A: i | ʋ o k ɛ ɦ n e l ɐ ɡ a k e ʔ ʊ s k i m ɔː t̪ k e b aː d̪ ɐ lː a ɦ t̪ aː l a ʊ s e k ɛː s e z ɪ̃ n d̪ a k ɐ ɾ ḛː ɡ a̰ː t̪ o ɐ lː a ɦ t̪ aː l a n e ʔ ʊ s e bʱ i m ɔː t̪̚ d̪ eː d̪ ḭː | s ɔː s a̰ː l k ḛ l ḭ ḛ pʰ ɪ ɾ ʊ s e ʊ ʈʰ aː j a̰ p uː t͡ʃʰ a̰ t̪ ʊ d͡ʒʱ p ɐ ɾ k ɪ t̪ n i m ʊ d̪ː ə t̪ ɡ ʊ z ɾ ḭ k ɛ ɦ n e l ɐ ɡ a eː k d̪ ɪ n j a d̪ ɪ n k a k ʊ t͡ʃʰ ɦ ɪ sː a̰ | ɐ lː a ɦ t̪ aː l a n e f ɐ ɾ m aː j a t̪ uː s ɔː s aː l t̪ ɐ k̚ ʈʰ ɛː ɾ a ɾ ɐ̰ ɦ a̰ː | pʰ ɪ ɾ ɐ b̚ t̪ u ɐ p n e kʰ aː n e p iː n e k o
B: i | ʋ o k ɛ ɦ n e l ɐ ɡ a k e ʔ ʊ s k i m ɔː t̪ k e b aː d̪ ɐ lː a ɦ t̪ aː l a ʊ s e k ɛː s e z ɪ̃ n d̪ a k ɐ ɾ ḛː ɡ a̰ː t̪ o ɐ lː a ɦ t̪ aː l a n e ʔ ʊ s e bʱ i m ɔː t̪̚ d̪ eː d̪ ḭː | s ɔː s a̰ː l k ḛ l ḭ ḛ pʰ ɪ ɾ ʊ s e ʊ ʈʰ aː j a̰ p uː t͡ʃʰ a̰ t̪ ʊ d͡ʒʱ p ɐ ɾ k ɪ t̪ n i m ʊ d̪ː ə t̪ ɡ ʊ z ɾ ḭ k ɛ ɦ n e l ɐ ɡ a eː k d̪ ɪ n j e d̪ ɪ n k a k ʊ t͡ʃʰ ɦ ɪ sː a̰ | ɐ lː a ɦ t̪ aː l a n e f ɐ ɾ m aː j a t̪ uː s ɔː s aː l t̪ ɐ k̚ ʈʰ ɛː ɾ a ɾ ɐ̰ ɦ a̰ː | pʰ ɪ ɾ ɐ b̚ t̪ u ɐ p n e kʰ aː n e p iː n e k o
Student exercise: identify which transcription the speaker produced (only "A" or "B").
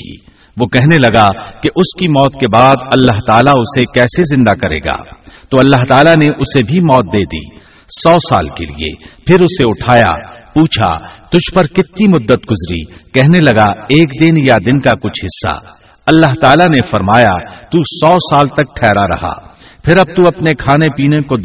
A